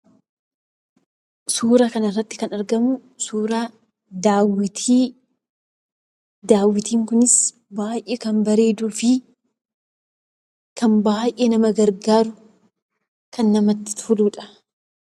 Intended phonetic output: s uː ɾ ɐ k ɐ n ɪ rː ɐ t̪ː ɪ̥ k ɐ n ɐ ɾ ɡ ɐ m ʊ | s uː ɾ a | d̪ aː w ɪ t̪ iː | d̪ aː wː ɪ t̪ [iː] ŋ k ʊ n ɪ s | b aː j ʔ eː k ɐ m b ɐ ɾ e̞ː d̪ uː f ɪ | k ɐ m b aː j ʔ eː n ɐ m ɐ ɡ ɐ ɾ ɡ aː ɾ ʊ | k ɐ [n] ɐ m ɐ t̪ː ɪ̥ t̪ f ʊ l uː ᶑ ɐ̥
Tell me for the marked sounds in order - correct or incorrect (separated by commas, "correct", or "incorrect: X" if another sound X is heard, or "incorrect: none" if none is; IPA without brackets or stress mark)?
correct, incorrect: nː